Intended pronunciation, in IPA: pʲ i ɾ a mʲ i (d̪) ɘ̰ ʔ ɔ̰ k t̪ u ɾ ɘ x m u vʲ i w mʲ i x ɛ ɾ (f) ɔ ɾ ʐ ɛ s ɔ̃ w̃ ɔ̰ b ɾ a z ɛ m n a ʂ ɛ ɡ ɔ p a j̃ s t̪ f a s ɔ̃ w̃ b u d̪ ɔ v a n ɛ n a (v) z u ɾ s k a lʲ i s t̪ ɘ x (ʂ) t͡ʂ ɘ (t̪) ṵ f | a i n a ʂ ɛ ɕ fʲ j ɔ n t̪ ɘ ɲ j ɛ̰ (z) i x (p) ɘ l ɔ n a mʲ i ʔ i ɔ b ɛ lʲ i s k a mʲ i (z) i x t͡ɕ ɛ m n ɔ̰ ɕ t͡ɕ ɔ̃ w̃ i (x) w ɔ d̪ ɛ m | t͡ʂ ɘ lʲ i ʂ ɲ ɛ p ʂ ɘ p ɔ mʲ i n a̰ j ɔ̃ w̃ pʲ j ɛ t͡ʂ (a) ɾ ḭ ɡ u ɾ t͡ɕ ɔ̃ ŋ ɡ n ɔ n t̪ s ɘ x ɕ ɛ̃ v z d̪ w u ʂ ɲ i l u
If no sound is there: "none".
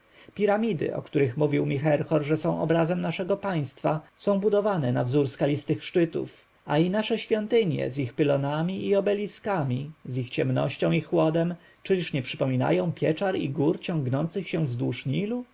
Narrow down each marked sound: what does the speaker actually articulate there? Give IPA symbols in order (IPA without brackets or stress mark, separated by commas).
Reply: d̪, x, v, ʂ, t̪, z, p, z, x, a